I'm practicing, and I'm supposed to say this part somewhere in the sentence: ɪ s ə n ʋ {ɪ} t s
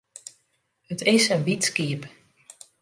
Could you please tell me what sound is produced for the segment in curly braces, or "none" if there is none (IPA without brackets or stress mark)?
i